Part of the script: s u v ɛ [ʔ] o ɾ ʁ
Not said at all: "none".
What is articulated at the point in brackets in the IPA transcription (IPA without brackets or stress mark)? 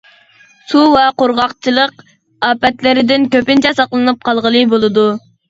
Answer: q